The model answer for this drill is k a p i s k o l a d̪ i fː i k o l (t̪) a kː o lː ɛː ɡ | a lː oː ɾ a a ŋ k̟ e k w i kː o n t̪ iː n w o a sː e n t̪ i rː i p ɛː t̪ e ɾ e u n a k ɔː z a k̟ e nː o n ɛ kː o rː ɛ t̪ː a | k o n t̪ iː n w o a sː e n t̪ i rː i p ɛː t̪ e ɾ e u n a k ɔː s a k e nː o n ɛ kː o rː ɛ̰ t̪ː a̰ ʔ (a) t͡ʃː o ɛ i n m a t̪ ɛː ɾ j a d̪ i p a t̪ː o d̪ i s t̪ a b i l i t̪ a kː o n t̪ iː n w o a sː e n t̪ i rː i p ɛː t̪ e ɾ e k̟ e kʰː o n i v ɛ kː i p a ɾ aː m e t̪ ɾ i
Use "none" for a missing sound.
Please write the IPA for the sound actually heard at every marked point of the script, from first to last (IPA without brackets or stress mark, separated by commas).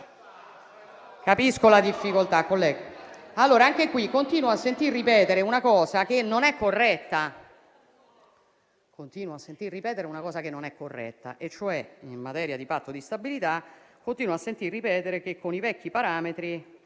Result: t̪, e